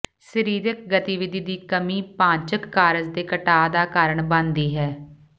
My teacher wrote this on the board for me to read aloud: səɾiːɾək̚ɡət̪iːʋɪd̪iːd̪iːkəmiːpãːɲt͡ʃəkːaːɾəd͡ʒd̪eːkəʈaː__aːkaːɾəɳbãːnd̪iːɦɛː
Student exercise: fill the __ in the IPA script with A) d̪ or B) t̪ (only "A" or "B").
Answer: A